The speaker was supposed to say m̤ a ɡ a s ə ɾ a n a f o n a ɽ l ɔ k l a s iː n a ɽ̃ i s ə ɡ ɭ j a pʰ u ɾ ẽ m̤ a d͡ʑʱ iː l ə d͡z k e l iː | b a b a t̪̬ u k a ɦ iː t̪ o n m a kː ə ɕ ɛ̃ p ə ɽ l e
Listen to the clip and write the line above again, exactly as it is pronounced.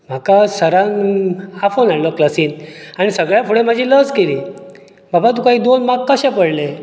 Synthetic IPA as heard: m̤ a k a s ə ɾ a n a f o n a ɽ l ɔ k l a s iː n a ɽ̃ i s ə ɡ ɭ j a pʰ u ɽ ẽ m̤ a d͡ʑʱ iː l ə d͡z k e l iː | b a b a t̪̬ u k a ɦ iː d̪ o n m a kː ə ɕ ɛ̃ p ə ɽ l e